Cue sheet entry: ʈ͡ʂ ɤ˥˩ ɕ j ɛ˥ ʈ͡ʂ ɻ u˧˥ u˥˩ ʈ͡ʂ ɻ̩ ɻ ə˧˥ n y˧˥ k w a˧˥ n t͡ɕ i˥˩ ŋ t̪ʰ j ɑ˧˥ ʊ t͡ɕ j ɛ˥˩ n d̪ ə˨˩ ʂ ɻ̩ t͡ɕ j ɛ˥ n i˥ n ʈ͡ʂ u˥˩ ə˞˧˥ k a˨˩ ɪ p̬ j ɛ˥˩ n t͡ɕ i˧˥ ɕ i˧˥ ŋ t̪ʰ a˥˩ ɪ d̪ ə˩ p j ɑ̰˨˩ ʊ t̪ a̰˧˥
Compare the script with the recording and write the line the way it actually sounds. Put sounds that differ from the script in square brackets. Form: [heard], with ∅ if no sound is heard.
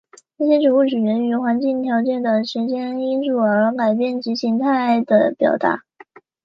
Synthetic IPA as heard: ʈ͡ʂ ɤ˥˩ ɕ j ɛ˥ ʈ͡ʂ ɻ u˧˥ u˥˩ ʈ͡ʂ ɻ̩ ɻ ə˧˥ n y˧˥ [x] w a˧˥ n t͡ɕ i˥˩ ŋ t̪ʰ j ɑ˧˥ ʊ t͡ɕ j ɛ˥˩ n d̪ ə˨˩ ʂ ɻ̩ t͡ɕ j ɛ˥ n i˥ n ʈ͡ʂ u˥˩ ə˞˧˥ k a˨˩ ɪ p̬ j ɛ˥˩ n t͡ɕ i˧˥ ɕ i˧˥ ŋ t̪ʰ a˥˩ ɪ d̪ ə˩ p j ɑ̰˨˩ ʊ t̪ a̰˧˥